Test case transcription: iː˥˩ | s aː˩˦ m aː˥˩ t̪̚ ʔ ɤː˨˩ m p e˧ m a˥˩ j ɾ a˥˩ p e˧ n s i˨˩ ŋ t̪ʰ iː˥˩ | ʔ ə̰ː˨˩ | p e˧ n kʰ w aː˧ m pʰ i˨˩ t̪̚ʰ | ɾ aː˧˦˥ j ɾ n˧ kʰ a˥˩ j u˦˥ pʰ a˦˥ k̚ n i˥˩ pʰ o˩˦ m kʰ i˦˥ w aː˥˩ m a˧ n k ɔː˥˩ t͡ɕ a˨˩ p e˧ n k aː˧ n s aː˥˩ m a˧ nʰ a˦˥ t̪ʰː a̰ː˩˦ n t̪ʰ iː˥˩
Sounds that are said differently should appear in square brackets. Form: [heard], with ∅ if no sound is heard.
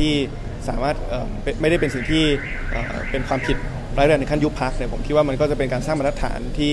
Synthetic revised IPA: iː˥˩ | s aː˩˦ m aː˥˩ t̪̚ ʔ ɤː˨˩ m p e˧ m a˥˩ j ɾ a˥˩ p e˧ n s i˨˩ ŋ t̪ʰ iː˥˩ | ʔ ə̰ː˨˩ | p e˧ n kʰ w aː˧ m pʰ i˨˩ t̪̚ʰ | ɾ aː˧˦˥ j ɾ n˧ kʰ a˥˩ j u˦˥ pʰ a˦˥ k̚ n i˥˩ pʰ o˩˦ m kʰ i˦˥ w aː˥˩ m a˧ n k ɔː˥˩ t͡ɕ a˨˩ p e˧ n k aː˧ n s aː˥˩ m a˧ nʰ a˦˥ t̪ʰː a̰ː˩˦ n t̪ʰ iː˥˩

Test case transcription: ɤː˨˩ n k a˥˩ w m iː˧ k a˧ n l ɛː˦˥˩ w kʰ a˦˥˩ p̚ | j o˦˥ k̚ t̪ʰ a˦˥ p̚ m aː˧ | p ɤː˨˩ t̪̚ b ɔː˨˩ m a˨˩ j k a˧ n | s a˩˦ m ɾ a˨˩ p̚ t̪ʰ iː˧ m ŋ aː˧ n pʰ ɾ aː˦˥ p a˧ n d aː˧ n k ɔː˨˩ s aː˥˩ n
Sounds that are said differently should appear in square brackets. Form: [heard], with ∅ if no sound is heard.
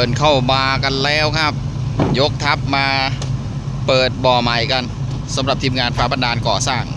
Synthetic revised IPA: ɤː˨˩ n [kʰ] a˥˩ w m [aː˧] k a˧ n l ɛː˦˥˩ w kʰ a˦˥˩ p̚ | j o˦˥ k̚ t̪ʰ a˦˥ p̚ m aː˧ | p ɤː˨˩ t̪̚ b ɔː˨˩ m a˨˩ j k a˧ n | s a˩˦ m ɾ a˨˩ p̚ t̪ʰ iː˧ m ŋ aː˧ n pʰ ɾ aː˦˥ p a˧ n d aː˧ n k ɔː˨˩ s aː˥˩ [ŋ]

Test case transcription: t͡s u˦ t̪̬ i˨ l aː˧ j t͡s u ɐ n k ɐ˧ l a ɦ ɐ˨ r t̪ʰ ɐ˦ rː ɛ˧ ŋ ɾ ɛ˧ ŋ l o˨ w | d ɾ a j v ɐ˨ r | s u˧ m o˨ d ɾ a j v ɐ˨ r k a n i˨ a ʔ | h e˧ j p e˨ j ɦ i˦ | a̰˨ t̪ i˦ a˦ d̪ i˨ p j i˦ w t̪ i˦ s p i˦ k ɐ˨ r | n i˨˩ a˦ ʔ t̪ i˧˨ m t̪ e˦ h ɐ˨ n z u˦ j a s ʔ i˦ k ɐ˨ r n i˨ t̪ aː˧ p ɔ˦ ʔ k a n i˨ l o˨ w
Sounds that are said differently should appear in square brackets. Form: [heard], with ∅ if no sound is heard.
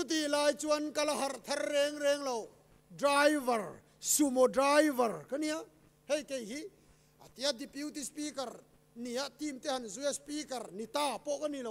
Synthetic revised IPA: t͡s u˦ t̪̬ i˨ l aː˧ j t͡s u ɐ n k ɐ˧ l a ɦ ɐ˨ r t̪ʰ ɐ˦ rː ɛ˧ ŋ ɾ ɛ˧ ŋ l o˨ w | d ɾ a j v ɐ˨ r | s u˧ m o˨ d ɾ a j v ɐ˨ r k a n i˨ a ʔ | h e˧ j [k] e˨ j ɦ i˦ | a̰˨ t̪ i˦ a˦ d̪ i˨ p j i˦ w t̪ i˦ s p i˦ k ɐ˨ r | n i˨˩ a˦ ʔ t̪ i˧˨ m t̪ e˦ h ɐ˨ n z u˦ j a s [p] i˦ k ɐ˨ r n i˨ t̪ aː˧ p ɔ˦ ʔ k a n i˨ l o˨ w

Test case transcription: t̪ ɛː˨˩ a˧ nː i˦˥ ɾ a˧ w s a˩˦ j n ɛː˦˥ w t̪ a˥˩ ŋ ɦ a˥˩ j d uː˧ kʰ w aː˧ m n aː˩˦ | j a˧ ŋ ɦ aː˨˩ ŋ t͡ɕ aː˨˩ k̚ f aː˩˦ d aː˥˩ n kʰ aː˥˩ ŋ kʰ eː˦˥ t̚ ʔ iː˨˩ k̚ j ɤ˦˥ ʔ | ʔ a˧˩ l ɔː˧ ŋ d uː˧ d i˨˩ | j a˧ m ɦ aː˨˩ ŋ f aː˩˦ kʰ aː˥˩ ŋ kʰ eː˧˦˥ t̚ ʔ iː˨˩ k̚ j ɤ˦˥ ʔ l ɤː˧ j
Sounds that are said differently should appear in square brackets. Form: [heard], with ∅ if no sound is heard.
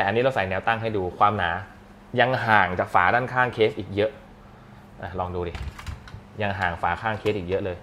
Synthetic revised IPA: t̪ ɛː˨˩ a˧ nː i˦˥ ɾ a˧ w s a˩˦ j n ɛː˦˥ w t̪ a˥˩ ŋ ɦ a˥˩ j d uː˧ kʰ w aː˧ m n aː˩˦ | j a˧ ŋ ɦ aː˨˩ ŋ t͡ɕ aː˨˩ k̚ f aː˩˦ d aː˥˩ n kʰ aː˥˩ ŋ kʰ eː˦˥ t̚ ʔ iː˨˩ k̚ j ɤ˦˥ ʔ | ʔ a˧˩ l ɔː˧ ŋ d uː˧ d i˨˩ | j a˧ [ŋ] ɦ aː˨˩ ŋ f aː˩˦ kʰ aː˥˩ ŋ kʰ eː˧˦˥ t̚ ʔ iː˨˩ k̚ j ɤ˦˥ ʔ l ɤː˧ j

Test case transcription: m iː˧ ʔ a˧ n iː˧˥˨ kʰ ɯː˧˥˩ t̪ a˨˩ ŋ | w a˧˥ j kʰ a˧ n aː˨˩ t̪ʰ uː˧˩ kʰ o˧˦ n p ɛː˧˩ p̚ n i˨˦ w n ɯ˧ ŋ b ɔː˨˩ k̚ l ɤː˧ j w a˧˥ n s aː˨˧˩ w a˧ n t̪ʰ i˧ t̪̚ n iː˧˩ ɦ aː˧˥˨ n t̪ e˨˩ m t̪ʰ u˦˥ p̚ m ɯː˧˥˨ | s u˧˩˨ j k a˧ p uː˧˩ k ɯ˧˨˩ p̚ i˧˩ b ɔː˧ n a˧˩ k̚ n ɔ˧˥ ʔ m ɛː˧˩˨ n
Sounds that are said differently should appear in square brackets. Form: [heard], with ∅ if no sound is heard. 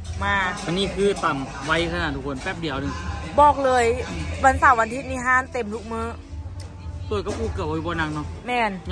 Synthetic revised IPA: m [aː˧] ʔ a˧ n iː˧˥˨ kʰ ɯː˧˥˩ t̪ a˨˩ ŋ | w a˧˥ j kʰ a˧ n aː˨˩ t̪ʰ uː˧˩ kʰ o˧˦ n p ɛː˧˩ p̚ [d] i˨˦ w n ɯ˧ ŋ b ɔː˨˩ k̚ l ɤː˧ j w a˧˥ n s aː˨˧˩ w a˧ n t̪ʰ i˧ t̪̚ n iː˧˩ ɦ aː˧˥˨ n t̪ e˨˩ m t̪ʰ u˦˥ [k̚] m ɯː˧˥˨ | s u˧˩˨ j k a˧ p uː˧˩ k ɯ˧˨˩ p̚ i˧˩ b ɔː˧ n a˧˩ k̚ n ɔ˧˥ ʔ m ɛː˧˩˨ n

